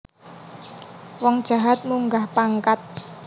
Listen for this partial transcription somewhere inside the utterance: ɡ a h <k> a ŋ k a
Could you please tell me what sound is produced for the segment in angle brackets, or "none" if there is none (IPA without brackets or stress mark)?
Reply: p